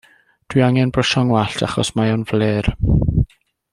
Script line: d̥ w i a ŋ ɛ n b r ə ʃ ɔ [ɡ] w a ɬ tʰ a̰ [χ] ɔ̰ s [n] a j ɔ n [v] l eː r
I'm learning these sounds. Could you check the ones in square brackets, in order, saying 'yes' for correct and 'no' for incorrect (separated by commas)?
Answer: no, yes, no, yes